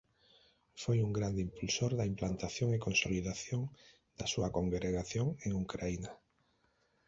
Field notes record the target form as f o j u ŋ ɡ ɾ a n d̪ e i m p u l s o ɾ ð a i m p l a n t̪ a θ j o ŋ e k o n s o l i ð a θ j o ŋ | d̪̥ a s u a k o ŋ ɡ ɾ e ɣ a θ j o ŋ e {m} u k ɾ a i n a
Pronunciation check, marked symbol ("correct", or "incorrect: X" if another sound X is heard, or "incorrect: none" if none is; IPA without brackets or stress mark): incorrect: ŋ